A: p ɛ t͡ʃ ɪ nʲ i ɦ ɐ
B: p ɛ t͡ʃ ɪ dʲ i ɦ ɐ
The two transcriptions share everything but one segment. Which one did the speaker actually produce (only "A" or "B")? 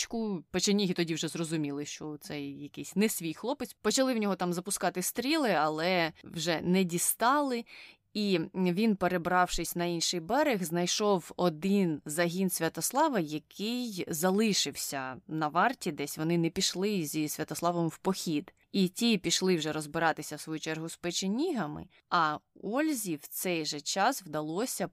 A